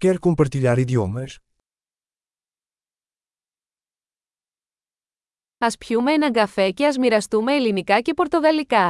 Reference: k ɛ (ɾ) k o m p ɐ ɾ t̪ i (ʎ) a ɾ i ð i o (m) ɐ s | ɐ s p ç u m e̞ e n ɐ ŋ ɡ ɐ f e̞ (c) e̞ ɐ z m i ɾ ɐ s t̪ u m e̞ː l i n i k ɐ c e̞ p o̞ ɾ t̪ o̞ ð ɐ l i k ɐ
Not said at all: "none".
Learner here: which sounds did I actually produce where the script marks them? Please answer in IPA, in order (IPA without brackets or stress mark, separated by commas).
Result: ɾ, ʎ, m, c